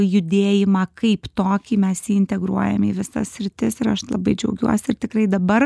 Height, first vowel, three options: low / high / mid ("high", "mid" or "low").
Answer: high